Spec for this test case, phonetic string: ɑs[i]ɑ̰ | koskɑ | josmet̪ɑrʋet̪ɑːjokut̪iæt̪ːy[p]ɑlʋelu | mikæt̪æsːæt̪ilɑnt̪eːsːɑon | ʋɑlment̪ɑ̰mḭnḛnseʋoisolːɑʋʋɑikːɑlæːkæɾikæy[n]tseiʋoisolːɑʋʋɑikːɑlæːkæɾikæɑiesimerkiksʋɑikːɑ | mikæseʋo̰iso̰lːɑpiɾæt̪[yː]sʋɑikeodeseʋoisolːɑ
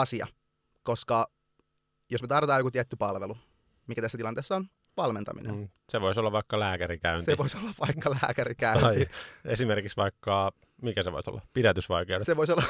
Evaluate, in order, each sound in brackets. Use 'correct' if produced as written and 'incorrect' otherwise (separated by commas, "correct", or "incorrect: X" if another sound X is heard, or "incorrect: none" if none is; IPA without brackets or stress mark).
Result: correct, correct, correct, incorrect: y